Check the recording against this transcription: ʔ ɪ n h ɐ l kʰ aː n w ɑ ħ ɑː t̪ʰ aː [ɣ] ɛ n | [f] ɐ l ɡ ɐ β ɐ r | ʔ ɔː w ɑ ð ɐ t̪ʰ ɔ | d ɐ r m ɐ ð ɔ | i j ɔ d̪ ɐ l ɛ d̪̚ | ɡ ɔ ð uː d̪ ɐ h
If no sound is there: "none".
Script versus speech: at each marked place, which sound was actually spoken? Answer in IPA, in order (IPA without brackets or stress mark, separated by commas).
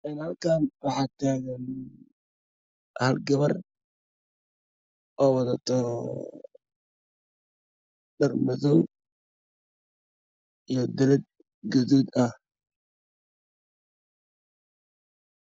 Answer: ɣ, h